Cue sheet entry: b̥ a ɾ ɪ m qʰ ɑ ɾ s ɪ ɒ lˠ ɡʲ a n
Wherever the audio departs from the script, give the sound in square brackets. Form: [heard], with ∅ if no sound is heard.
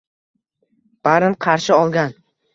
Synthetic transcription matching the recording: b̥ a ɾ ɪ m qʰ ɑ ɾ [ʃ] ɪ ɒ lˠ ɡʲ a n